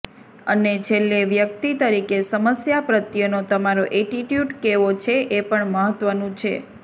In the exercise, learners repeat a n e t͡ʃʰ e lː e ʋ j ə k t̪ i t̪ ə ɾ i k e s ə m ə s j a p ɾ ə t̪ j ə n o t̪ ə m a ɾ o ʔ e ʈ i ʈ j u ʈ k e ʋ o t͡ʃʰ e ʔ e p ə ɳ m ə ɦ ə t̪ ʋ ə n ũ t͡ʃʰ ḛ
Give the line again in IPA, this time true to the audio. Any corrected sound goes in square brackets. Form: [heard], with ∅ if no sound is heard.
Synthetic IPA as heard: [ə] n e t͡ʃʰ e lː e ʋ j ə k t̪ i t̪ ə ɾ i k e s ə m ə s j a p ɾ ə t̪ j ə n o t̪ ə m a ɾ o ʔ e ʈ i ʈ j u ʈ k e ʋ o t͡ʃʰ e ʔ e p ə ɳ m ə ɦ ə t̪ ʋ ə n ũ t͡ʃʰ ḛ

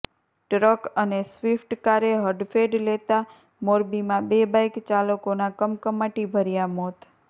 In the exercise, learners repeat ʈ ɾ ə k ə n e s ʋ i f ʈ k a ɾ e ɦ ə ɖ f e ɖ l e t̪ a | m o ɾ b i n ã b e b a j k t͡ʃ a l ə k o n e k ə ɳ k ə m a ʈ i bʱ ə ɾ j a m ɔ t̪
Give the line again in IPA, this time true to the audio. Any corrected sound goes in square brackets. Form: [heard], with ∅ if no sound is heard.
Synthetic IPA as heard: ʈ ɾ ə k ə n e s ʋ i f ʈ k a ɾ e ɦ ə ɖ f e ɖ l e t̪ a | m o ɾ b i [m] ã b e b a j k t͡ʃ a l ə k o n [a] k ə [m] k ə m a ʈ i bʱ ə ɾ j a m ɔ t̪

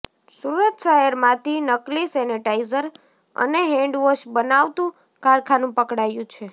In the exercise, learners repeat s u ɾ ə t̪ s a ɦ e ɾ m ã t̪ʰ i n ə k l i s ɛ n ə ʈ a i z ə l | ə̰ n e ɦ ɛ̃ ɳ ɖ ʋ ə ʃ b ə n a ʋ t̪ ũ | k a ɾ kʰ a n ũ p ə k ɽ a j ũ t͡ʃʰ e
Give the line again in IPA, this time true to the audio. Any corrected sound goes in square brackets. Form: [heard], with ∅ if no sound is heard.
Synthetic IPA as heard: s u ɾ ə t̪ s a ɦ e ɾ m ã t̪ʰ i n ə k l i s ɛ n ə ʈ a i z ə [ɾ] | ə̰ n e ɦ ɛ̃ ɳ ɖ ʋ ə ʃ b ə n a ʋ t̪ ũ | k a ɾ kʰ a n ũ p ə k ɽ a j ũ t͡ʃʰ e

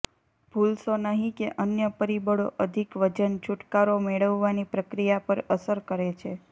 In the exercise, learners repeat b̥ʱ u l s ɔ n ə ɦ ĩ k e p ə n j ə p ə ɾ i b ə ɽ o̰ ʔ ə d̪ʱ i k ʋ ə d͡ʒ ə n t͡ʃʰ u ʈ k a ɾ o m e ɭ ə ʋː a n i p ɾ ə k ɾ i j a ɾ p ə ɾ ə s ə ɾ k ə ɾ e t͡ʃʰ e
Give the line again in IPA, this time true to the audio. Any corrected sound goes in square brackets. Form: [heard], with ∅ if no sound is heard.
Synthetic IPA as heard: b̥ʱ u l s [o] n ə ɦ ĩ k e [ʔ] ə n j ə p ə ɾ i b ə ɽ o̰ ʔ ə d̪ʱ i k ʋ ə d͡ʒ ə n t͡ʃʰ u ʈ k a ɾ o m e ɭ ə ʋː a n i p ɾ ə k ɾ i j a [∅] p ə ɾ ə s ə ɾ k ə ɾ e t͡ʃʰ e

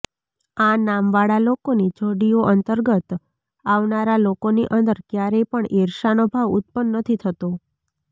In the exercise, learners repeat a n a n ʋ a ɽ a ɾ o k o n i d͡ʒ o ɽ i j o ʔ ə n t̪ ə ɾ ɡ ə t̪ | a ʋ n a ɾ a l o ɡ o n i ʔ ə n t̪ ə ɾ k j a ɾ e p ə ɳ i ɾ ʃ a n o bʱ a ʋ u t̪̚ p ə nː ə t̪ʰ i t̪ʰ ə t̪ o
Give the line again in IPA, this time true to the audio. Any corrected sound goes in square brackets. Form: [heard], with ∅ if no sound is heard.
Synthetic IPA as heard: a n a [m] ʋ a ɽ a [l] o k o n i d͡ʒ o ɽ i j o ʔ ə n t̪ ə ɾ ɡ ə t̪ | a ʋ n a ɾ a l o [k] o n i ʔ ə n [d̪] ə ɾ k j a ɾ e p ə ɳ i ɾ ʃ a n o bʱ a ʋ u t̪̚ p ə nː ə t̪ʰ i t̪ʰ ə t̪ o

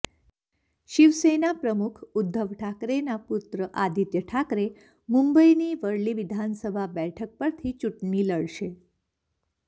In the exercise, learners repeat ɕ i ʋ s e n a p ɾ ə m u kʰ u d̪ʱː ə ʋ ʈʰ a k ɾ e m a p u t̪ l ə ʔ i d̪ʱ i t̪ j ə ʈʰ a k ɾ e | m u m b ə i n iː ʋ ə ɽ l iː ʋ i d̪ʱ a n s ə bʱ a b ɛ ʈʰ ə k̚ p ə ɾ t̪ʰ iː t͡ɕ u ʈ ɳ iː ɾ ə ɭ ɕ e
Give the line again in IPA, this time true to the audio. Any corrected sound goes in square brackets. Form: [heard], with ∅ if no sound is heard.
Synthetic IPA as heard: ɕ i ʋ s e n a p ɾ ə m u kʰ u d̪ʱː ə ʋ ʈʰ a k ɾ e [n] a p u t̪ [ɾ] ə ʔ [a] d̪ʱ i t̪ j ə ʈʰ a k ɾ e | m u m b ə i n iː ʋ ə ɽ l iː ʋ i d̪ʱ a n s ə bʱ a b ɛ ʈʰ ə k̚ p ə ɾ t̪ʰ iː t͡ɕ u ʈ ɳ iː [l] ə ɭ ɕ e

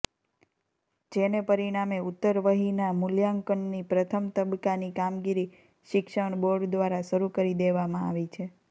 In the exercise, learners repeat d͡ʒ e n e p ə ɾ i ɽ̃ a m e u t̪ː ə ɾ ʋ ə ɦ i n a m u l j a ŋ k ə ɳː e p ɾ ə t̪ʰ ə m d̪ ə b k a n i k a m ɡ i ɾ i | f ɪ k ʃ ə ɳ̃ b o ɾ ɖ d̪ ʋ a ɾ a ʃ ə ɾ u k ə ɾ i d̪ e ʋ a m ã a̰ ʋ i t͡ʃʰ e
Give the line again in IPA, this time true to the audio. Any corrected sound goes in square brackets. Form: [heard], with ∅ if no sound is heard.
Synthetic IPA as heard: d͡ʒ e n e p ə ɾ i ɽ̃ a m e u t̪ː ə ɾ ʋ ə ɦ i n a m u l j a ŋ k ə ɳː [i] p ɾ ə t̪ʰ ə m [t̪] ə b k a n i k a m ɡ i ɾ i | [ʃ] ɪ k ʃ ə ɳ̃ b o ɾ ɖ d̪ ʋ a ɾ a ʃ ə ɾ u k ə ɾ i d̪ e ʋ a m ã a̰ ʋ i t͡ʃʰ e

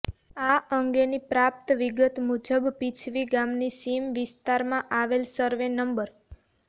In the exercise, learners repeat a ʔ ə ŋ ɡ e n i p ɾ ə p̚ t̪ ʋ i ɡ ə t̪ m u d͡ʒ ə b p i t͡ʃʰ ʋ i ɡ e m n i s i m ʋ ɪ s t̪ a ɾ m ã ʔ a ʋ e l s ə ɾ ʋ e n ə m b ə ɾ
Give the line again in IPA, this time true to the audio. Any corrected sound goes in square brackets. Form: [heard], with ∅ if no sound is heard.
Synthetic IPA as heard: a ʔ ə ŋ ɡ e n i p ɾ [a] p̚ t̪ ʋ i ɡ ə t̪ m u d͡ʒ ə b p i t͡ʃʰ ʋ i ɡ [a] m n i s i m ʋ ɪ s t̪ a ɾ m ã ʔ a ʋ e l s ə ɾ ʋ e n ə m b ə ɾ

